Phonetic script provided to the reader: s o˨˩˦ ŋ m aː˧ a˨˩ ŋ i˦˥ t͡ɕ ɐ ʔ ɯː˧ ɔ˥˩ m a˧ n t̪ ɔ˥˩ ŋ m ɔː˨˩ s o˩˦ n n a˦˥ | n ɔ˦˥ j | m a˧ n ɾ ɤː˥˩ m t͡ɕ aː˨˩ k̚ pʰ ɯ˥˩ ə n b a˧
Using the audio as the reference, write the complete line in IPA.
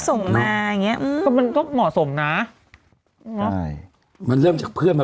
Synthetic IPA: s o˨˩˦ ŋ m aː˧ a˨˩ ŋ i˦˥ ɐ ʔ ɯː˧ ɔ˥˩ m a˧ n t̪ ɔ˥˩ ŋ m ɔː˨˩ s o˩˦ m n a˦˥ | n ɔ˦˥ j | m a˧ n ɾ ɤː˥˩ m t͡ɕ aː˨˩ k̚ pʰ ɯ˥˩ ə n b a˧